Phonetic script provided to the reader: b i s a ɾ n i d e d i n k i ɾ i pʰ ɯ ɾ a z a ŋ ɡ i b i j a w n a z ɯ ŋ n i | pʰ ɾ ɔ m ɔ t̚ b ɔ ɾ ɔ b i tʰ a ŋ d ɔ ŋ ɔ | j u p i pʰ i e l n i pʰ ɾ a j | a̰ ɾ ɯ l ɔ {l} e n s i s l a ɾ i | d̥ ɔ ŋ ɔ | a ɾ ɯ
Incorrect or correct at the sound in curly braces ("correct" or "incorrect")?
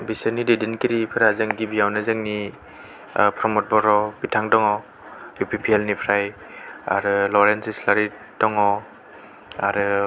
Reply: incorrect